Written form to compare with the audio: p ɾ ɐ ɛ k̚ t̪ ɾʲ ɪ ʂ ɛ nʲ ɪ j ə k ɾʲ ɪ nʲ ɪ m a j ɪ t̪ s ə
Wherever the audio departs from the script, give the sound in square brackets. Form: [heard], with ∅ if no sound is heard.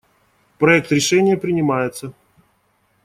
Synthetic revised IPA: p ɾ ɐ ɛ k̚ t̪ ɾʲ ɪ ʂ ɛ nʲ ɪ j ə [p] ɾʲ ɪ nʲ ɪ m a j ɪ t̪ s ə